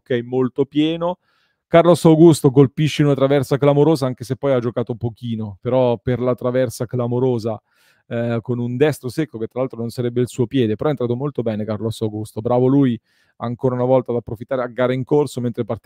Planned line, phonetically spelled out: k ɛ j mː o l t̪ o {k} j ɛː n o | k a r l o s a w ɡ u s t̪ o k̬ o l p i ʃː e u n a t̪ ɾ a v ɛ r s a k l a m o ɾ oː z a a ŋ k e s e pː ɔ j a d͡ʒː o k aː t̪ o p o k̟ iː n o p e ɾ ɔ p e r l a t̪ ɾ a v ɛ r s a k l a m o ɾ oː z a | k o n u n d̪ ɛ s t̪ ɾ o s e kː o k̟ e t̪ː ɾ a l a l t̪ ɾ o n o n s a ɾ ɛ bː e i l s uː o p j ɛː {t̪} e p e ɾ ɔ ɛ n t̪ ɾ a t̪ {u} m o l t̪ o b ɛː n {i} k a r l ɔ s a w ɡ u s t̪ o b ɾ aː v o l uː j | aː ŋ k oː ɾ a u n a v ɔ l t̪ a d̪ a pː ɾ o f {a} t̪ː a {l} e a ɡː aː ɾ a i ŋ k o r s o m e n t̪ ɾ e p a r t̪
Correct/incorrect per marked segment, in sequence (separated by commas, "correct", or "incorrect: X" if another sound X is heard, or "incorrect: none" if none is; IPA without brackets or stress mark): incorrect: p, incorrect: d̪, incorrect: o, incorrect: e, incorrect: i, incorrect: ɾ